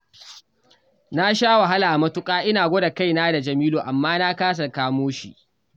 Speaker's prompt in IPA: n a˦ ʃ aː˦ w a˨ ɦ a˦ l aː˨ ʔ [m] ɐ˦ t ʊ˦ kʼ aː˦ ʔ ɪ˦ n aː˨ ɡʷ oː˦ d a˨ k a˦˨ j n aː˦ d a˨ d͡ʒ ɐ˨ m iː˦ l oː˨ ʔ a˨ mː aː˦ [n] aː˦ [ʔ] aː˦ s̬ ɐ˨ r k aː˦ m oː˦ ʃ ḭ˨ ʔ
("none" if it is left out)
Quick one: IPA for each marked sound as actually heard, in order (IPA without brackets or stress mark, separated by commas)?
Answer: m, n, k